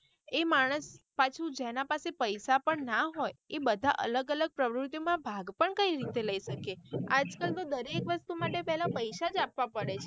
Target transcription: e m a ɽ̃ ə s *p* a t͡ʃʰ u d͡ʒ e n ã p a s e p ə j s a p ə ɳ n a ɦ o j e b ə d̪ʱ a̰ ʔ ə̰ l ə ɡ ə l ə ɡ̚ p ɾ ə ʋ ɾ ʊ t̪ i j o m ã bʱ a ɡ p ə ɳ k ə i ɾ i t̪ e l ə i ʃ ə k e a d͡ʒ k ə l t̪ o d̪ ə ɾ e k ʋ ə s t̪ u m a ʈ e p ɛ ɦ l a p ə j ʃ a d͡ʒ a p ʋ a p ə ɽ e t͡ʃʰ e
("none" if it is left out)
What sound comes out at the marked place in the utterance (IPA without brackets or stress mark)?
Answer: p